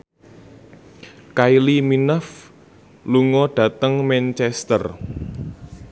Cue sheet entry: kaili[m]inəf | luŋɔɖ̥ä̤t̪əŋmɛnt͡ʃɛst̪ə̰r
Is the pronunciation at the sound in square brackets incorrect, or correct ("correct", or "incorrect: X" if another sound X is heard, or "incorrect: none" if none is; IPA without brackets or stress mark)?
correct